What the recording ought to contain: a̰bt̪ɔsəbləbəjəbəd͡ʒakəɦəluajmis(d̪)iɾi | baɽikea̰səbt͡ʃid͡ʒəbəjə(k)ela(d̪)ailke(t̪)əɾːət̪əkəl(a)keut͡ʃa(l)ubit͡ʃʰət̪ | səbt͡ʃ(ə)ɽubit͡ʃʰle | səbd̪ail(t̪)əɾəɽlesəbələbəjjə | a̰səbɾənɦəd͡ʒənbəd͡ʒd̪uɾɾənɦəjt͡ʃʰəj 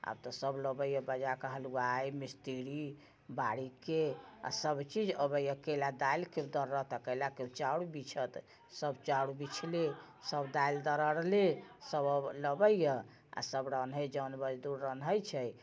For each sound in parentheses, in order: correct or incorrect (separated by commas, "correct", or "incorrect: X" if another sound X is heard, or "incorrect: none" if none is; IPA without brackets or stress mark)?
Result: incorrect: t̪, correct, correct, incorrect: d̪, correct, incorrect: ɽ, incorrect: a, incorrect: d̪